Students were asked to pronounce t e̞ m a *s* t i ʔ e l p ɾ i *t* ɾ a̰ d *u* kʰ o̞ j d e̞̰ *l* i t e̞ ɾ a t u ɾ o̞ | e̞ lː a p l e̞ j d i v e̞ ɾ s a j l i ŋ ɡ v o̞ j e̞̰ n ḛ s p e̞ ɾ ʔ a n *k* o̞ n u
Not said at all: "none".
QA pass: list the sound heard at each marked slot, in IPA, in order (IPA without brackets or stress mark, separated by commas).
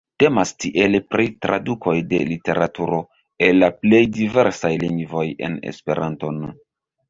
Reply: s, t, u, l, t